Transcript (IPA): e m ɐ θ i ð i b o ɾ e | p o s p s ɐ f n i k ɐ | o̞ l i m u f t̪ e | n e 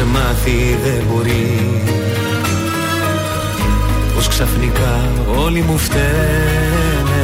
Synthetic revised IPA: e m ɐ θ i ð e b o ɾ i | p o s k s ɐ f n i k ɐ | o̞ l i m u f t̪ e | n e